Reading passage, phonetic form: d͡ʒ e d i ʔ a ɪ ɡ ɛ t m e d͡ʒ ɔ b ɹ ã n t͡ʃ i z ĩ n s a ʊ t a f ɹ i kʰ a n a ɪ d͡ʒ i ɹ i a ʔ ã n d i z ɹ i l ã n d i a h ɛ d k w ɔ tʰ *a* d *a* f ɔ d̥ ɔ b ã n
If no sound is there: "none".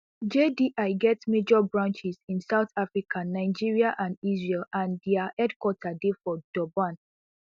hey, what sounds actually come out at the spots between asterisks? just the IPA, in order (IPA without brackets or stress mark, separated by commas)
a, e